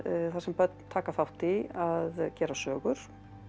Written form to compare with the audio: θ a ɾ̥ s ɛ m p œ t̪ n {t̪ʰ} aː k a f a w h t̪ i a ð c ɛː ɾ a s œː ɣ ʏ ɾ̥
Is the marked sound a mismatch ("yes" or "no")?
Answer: no